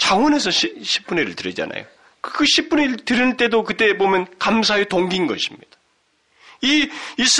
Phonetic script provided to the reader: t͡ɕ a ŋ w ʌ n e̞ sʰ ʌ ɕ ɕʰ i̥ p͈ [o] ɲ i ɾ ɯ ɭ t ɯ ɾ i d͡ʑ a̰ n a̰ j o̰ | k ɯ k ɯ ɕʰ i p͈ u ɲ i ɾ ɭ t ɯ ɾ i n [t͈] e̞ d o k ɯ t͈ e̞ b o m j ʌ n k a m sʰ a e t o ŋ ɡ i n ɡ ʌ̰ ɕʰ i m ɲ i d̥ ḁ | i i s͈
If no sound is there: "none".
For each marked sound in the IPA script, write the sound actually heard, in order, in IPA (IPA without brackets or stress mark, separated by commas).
u, t͈